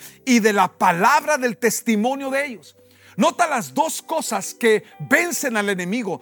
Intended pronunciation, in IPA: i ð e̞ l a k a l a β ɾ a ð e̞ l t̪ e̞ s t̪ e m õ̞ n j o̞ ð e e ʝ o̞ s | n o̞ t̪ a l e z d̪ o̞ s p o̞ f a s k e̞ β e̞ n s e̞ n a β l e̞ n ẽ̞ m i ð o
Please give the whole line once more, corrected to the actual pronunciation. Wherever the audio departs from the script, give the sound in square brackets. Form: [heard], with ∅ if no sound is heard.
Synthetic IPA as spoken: i ð e̞ l a [p] a l a β ɾ a ð e̞ l t̪ e̞ s t̪ [i] m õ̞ n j o̞ ð e e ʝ o̞ s | n o̞ t̪ a l [a] z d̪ o̞ s [k] o̞ [s] a s k e̞ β e̞ n s e̞ n a [∅] l e̞ n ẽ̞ m i [ɣ] o